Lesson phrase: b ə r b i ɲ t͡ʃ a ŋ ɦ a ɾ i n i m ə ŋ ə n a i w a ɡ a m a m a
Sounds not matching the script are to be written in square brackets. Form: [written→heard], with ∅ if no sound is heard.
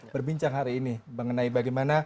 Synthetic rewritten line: b ə r b i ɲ t͡ʃ a ŋ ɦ a ɾ [i→iː] n i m ə ŋ ə n a i [w→b] a ɡ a m a [m→n] a